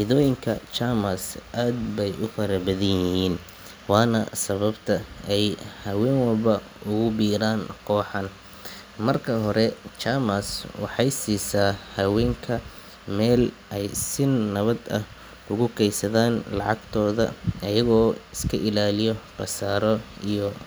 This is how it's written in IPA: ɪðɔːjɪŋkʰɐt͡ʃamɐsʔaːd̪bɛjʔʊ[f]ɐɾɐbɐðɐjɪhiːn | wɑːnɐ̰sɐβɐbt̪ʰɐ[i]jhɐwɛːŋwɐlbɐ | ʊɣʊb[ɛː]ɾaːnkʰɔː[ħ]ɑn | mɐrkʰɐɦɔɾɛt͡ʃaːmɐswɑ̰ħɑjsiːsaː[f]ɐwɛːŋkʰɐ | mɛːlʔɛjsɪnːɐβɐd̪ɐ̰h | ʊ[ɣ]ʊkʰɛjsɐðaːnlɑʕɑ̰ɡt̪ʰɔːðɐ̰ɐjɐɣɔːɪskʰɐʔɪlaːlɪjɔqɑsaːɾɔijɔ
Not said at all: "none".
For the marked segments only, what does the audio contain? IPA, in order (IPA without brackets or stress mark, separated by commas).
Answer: f, ɛ, iː, ħ, h, ɣ